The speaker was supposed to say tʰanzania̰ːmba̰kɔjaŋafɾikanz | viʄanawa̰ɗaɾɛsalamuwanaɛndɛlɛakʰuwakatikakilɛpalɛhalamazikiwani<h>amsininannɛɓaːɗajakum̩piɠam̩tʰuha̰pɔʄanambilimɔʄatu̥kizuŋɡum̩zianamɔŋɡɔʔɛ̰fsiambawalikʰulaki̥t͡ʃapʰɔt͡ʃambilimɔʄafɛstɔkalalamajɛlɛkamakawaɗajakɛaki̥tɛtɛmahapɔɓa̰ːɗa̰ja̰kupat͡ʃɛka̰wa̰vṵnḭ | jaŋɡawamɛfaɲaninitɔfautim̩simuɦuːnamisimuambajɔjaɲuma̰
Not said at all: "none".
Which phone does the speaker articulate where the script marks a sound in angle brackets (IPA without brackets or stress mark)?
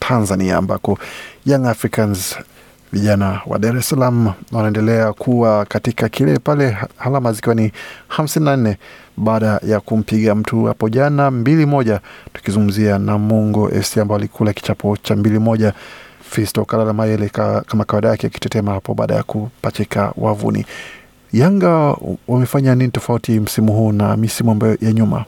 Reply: h